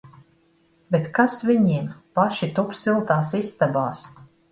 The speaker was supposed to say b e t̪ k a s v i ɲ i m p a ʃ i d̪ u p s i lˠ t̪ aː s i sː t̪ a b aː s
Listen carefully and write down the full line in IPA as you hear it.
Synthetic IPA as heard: b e t̪ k a s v i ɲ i m p a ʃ i t̪ u p s i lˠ t̪ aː s i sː t̪ a b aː s